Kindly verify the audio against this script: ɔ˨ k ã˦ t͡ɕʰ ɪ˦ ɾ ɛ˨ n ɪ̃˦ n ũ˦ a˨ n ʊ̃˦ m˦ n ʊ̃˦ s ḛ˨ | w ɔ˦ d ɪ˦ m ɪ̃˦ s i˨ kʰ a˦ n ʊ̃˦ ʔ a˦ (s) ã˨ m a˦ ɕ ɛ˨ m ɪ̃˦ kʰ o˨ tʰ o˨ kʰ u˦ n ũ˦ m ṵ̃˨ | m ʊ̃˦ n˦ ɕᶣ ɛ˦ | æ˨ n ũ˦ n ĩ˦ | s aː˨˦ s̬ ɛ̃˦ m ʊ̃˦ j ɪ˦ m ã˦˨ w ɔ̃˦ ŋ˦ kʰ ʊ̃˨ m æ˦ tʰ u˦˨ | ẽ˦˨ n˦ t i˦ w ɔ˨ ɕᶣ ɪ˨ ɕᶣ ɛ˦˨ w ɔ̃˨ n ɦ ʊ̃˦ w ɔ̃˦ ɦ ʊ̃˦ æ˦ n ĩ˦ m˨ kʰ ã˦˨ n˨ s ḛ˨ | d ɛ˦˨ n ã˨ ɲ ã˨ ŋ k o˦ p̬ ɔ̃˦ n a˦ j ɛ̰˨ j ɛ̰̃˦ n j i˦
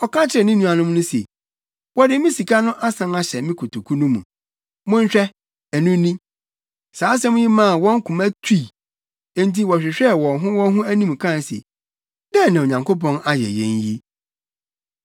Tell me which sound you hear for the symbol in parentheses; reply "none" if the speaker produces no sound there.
s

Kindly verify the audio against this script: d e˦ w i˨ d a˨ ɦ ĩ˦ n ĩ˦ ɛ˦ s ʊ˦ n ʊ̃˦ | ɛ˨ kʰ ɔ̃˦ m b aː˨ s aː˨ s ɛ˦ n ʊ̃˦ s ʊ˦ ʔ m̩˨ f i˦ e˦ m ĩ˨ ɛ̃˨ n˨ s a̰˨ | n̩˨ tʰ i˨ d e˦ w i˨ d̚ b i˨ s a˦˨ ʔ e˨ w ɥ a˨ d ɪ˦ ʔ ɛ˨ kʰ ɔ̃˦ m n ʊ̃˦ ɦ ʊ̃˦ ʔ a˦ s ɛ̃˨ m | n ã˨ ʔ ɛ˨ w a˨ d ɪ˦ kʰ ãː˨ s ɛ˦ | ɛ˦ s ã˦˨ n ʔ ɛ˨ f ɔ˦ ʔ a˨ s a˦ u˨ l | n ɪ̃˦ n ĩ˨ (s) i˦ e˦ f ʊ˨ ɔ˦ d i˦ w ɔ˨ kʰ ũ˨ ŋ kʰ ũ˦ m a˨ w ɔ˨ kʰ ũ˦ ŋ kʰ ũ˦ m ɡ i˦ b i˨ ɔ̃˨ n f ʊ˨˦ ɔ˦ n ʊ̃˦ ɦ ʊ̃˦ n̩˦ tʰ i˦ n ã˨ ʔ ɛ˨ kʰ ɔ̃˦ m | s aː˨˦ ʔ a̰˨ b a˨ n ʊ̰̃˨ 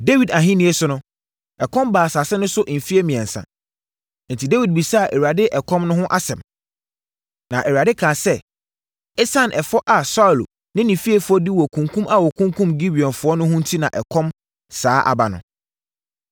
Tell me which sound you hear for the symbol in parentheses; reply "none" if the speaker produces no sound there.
f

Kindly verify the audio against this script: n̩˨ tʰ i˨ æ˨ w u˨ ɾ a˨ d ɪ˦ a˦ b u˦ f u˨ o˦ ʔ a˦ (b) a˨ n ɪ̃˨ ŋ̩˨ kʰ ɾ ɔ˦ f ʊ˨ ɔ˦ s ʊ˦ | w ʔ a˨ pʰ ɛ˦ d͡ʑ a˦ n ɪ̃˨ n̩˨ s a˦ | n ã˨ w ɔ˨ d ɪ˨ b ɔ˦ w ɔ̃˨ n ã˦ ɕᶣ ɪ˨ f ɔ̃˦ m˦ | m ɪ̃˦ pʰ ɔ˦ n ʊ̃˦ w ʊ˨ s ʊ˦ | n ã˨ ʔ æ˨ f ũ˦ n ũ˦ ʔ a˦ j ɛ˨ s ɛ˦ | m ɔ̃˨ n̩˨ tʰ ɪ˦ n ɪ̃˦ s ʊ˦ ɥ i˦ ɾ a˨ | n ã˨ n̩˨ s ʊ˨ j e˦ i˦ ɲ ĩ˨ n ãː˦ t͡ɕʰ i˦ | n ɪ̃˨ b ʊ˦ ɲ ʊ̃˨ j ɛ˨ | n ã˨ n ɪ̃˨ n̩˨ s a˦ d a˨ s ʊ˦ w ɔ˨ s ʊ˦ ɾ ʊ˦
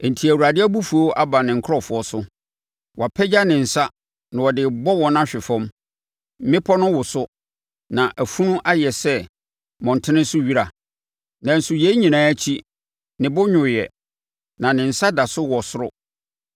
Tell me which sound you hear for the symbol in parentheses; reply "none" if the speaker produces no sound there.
b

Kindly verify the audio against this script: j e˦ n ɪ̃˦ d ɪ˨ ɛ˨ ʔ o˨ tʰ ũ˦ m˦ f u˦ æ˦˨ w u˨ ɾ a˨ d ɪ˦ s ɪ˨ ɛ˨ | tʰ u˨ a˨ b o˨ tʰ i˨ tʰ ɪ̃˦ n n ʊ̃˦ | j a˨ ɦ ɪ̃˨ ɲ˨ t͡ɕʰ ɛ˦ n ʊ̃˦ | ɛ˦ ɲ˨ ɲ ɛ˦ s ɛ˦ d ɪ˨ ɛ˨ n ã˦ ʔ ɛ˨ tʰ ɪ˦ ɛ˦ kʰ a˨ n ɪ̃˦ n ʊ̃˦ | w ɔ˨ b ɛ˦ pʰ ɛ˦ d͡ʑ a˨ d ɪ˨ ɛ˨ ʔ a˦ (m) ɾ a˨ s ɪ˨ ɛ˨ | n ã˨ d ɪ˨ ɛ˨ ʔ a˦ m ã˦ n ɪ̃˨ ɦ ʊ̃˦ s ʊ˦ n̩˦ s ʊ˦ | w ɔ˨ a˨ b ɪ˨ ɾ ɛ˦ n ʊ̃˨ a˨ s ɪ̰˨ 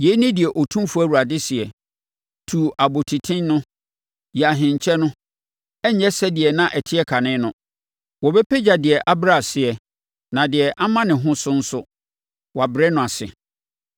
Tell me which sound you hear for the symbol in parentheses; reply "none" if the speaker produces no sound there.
b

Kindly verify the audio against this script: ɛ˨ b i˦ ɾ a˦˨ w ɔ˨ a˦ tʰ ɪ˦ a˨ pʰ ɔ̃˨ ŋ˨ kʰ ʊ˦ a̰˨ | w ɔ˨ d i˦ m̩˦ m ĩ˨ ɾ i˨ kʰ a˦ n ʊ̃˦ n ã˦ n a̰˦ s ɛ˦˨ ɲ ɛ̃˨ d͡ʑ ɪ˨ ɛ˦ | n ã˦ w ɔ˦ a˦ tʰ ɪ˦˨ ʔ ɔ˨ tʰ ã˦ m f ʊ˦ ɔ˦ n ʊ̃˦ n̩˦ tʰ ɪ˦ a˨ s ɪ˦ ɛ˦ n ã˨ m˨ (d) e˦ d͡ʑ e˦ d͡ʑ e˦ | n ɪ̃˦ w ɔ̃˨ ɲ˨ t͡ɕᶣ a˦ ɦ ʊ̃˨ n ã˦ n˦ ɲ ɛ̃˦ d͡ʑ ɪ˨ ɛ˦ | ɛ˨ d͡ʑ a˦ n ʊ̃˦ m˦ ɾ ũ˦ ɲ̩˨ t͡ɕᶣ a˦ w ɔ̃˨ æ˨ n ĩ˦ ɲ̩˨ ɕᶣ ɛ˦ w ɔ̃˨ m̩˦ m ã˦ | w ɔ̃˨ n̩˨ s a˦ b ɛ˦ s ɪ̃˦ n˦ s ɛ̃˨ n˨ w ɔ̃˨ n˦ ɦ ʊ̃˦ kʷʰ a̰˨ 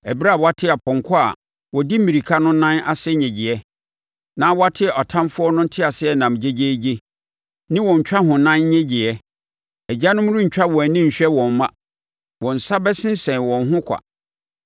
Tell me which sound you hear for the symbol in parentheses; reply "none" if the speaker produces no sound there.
d͡ʑ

